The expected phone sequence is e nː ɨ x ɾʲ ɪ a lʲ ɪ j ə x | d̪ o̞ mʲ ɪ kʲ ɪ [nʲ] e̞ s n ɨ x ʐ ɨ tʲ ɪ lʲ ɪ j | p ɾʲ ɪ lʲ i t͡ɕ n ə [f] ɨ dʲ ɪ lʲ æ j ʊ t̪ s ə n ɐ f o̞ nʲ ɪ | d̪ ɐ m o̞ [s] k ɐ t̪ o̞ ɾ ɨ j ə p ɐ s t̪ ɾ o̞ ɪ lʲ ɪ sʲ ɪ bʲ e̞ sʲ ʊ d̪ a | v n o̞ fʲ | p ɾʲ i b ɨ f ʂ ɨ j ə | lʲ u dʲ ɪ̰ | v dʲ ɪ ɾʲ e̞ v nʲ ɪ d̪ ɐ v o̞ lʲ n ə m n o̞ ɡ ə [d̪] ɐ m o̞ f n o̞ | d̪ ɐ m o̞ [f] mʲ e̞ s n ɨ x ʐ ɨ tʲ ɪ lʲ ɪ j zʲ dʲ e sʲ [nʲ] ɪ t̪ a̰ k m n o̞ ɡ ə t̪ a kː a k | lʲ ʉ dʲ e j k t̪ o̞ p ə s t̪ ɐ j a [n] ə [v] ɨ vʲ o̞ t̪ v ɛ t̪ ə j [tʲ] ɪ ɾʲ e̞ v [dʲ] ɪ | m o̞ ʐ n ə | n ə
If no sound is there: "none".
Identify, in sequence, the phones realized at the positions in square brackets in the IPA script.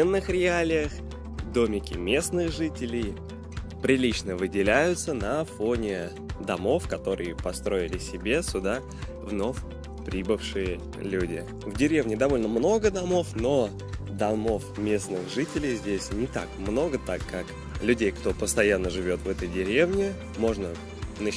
mʲ, v, f, d̪, f, nʲ, nː, ʐ, dʲ, nʲ

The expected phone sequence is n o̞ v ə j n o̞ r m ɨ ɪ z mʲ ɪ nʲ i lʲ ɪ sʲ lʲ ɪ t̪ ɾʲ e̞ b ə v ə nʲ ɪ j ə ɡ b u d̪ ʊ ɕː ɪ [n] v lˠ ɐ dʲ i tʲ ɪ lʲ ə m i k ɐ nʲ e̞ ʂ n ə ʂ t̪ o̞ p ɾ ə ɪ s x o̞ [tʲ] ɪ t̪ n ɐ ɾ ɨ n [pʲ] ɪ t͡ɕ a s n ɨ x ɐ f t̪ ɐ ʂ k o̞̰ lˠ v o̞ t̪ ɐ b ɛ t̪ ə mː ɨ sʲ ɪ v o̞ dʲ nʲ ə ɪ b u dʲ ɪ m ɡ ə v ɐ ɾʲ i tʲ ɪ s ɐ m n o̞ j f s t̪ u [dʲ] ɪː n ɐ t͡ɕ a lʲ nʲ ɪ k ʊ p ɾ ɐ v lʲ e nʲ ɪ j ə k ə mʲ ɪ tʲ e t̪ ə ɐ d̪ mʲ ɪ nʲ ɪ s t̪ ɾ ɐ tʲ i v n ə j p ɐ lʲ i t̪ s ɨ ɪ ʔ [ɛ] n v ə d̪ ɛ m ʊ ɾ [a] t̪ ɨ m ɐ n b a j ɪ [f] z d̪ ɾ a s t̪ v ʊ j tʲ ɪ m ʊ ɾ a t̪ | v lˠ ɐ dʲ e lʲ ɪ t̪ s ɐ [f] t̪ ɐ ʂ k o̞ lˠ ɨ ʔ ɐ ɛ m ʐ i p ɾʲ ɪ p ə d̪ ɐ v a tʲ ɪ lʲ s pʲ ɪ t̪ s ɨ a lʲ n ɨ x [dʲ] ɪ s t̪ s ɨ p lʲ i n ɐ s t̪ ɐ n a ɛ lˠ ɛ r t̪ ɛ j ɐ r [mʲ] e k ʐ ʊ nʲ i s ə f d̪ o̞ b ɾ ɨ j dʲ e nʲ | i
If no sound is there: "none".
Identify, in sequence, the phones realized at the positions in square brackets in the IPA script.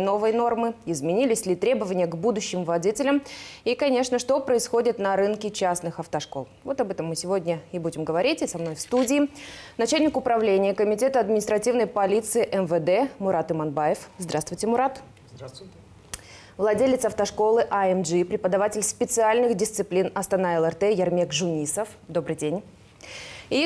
m, dʲ, kʲ, dʲ, ɛ, a, f, f, dʲ, mʲ

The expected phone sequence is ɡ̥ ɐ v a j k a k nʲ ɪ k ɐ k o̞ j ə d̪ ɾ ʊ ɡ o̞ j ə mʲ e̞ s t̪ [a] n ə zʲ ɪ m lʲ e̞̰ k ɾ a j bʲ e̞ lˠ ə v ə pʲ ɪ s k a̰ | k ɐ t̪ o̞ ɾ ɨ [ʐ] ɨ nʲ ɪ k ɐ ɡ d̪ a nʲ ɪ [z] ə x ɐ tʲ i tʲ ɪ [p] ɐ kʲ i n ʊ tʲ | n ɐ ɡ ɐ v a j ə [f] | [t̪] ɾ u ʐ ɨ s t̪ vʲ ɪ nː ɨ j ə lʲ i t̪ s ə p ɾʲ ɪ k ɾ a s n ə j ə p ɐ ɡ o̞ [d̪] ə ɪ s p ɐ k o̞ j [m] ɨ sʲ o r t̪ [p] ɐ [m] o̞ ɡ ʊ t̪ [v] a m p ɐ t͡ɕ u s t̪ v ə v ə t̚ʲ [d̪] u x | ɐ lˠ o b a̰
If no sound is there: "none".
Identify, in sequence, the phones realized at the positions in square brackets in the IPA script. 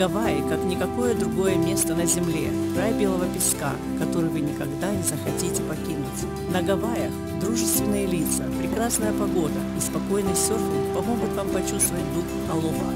ə, v, z, p, x, d̪, d̪, n, p, m, v, d̪

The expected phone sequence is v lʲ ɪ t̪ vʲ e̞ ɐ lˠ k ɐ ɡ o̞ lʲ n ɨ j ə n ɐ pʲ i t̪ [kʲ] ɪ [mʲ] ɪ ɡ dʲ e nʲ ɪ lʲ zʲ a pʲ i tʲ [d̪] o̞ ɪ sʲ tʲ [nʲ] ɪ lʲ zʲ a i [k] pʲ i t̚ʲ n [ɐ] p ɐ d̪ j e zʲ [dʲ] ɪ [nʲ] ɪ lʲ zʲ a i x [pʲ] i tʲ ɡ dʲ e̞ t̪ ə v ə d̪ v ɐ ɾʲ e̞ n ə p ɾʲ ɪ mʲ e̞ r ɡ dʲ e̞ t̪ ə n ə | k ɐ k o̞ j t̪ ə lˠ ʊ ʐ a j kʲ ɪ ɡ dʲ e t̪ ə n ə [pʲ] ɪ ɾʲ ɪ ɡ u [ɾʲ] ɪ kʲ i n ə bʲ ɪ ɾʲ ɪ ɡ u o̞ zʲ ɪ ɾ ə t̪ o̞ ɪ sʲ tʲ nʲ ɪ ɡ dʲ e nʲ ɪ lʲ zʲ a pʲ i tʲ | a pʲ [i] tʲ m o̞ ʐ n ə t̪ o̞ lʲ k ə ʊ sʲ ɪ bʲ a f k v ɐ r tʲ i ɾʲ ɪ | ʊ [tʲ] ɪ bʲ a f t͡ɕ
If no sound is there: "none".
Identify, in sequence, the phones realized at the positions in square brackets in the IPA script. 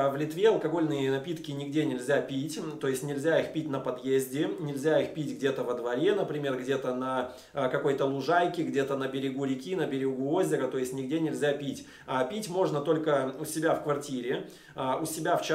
kʲ, nʲ, t̪, nʲ, x, ə, dʲ, nʲ, pʲ, bʲ, ɾʲ, i, sʲ

